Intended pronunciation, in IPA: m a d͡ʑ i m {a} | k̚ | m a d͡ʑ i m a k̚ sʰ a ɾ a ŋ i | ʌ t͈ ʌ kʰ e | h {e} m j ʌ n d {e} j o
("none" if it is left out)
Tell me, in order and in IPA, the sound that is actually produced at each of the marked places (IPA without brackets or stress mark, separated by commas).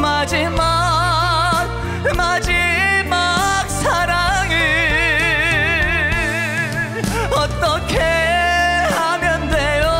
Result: a, a, e